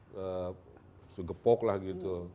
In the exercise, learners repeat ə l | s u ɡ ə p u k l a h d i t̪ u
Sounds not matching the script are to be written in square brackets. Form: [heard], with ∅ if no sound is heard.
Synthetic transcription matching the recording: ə [∅] | s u ɡ ə p [ɔ] k l a h [ɡ] i t̪ u